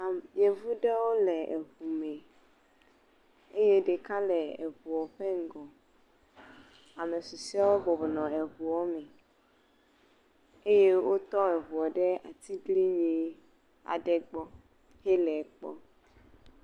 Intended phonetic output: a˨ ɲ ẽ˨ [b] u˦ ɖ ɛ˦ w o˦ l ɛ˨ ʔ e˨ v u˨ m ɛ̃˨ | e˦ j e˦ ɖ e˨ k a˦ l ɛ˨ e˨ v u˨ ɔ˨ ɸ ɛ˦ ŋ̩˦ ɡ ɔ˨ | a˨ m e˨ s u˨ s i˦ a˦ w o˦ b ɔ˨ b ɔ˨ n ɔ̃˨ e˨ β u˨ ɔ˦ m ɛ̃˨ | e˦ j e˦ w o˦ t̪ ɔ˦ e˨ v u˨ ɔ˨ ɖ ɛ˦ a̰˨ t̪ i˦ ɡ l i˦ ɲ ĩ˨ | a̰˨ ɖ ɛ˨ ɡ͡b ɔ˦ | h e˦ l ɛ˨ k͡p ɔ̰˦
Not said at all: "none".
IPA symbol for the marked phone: v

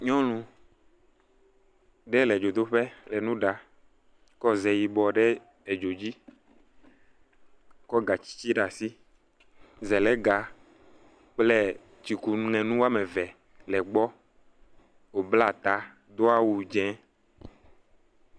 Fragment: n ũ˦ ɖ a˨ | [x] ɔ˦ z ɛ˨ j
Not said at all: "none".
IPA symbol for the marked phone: k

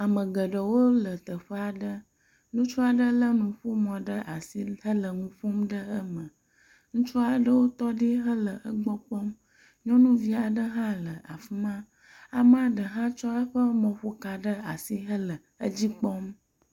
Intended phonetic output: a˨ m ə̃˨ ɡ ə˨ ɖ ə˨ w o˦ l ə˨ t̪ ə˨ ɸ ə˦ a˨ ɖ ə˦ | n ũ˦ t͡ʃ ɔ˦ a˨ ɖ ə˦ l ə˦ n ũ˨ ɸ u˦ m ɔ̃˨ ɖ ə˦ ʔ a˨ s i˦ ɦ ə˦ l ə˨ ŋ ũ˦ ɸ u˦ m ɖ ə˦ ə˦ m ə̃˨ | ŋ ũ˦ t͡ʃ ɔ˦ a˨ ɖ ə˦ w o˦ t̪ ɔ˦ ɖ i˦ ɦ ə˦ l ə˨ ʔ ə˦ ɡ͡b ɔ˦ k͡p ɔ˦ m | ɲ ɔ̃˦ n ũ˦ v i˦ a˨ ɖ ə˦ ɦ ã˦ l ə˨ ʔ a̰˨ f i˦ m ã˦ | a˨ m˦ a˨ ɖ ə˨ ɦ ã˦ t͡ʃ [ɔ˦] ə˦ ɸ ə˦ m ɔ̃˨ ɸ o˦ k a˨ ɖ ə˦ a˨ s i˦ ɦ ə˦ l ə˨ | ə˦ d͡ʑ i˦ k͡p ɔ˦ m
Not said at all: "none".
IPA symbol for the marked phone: ɔ˦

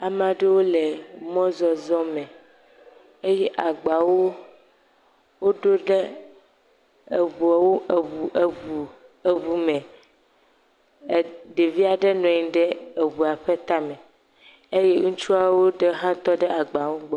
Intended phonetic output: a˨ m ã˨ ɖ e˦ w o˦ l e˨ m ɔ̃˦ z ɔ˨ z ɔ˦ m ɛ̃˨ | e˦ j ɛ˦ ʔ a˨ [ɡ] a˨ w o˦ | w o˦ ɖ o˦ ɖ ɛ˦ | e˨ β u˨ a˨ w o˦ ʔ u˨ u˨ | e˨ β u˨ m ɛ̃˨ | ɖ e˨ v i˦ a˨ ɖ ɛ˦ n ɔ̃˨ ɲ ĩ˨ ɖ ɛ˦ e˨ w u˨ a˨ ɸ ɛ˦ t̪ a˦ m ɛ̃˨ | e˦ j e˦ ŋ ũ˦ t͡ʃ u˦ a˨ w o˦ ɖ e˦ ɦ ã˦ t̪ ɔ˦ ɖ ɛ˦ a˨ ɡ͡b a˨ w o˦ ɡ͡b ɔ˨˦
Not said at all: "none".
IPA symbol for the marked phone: ɡ͡b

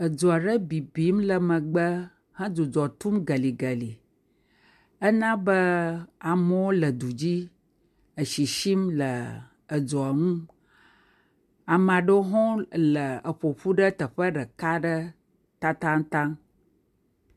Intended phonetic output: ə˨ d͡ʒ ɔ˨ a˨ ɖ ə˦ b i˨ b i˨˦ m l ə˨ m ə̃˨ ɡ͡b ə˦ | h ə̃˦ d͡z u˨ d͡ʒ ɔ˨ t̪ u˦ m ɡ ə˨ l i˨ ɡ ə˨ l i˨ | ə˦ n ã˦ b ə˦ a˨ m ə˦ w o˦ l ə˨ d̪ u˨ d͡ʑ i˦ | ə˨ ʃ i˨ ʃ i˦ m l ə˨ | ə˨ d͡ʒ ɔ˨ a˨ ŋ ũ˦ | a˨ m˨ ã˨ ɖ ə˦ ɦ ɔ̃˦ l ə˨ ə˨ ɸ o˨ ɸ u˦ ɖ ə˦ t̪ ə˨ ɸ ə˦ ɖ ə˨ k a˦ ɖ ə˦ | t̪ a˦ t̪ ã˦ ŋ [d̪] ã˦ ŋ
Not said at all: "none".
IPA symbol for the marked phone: t̪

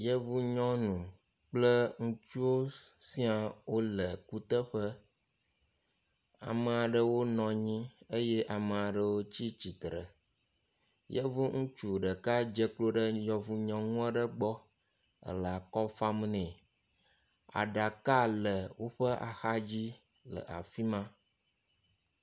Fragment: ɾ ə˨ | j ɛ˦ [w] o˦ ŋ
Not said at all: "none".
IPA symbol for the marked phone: v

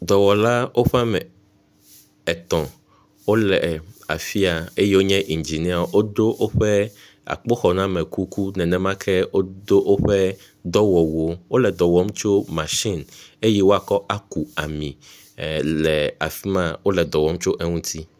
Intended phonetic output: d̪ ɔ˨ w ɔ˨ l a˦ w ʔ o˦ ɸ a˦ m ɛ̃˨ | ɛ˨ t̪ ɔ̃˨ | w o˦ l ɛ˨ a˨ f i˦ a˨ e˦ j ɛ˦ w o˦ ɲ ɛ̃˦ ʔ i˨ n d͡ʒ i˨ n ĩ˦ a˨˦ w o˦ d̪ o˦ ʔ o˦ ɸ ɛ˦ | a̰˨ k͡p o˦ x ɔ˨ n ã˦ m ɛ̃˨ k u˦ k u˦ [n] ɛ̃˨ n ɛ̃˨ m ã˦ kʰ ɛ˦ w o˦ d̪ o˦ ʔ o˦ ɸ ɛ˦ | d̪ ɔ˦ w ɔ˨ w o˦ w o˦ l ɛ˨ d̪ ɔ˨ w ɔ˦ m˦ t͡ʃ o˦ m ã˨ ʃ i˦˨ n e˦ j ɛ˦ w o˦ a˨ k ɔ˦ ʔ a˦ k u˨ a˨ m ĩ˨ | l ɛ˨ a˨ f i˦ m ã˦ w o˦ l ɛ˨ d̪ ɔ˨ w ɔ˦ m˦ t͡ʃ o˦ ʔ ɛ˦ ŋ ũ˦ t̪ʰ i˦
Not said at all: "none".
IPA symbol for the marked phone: n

